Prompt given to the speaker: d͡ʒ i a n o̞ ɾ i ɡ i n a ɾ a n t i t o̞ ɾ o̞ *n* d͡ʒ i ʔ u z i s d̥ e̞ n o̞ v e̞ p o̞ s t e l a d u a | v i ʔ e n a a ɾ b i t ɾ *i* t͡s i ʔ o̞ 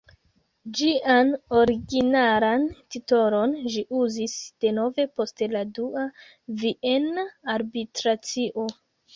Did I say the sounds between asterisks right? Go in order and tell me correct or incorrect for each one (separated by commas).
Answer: correct, incorrect